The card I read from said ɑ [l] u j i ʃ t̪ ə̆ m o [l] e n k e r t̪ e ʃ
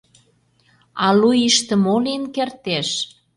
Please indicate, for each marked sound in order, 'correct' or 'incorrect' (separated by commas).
correct, correct